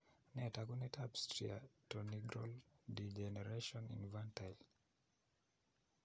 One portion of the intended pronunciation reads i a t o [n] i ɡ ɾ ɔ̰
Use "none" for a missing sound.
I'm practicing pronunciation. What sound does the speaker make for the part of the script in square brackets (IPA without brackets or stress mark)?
n